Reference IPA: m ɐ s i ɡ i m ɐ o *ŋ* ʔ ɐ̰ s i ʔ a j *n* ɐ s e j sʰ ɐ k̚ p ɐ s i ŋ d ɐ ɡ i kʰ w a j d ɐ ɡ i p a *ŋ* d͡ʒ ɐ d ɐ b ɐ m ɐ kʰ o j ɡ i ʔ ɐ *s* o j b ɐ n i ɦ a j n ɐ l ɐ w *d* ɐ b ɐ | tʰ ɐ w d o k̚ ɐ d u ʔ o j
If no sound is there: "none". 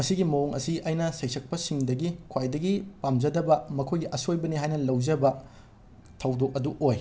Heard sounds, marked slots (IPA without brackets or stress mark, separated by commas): ŋ, n, m, s, d͡ʒ